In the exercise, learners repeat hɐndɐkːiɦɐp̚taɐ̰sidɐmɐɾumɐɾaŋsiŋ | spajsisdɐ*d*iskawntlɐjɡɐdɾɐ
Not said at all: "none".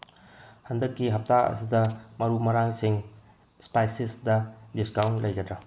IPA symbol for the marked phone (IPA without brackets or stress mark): d